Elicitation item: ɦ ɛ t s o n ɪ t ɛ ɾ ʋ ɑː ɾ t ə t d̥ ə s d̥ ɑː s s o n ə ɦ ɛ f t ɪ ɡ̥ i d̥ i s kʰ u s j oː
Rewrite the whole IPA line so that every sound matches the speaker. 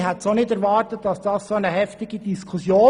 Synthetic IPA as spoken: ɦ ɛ t s o n ɪ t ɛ ɾ ʋ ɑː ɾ t ə t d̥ ɑ s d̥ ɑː s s o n ə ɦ ɛ f t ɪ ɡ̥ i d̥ i s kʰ u s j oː